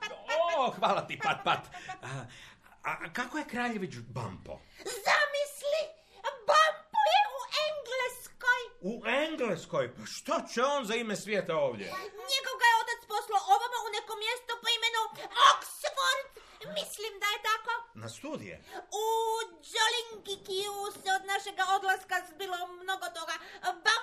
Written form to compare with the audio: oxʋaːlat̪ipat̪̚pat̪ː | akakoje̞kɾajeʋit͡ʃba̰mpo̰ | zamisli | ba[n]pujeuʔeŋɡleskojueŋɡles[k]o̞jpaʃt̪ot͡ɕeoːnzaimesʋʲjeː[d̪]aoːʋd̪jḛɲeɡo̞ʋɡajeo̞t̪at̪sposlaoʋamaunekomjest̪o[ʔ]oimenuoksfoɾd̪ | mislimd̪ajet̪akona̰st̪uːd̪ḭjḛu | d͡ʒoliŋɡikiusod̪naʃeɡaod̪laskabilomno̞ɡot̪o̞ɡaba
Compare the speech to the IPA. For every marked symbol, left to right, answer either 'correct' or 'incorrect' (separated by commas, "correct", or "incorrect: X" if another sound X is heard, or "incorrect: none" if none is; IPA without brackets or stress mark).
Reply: incorrect: m, correct, incorrect: t̪, incorrect: p